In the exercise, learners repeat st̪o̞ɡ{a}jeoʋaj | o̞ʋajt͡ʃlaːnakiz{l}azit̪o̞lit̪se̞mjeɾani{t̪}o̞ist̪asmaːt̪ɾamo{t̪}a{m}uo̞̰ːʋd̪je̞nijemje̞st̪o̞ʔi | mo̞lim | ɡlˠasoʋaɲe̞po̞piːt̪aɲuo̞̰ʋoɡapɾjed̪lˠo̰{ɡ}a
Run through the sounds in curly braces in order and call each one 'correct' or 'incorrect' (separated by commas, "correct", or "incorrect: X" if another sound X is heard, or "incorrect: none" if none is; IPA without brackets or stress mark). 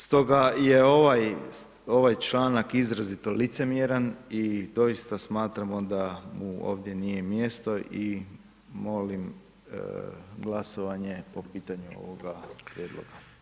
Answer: correct, incorrect: ɾ, incorrect: d̪, incorrect: d̪, correct, correct